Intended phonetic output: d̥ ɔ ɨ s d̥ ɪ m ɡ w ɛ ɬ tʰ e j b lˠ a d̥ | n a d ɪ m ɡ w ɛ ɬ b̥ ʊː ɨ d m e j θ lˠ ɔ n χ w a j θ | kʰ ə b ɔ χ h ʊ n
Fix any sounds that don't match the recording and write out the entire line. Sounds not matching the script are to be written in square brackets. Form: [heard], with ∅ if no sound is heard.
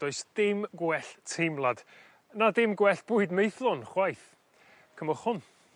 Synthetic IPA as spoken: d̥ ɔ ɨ s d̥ ɪ m ɡ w ɛ ɬ tʰ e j [m] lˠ a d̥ | n a d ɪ m ɡ w ɛ ɬ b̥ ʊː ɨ d m e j θ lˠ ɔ n χ w a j θ | kʰ ə [m] ɔ χ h ʊ n